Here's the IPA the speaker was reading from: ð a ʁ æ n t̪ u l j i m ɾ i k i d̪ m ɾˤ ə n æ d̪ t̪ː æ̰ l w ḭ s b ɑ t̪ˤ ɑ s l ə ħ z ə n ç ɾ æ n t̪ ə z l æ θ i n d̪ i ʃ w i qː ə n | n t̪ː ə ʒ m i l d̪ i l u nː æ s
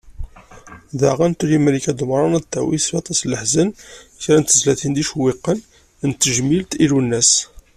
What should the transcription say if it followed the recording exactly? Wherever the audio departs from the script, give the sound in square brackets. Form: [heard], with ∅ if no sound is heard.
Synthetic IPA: ð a ʁ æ n t̪ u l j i m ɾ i k [æ] d̪ m ɾˤ [ɑ] n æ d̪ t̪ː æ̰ [∅] w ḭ s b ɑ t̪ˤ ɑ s l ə ħ z ə n ç ɾ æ n t̪ ə z l æ θ i n d̪ i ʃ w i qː ə n | n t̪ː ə ʒ m i l [t̪] i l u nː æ s